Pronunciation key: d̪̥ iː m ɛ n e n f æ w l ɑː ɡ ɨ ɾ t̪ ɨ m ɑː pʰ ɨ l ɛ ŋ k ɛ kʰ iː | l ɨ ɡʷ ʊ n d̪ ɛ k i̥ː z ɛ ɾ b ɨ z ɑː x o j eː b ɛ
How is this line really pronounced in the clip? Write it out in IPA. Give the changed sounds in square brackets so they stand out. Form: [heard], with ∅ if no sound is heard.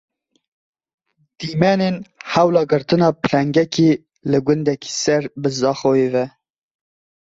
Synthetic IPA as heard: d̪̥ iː m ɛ n e n [h] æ w l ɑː ɡ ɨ ɾ t̪ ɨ [n] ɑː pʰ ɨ l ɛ ŋ [ɡ] ɛ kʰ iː | l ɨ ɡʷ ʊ n d̪ ɛ k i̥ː [s] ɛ ɾ b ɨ z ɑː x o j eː [v] ɛ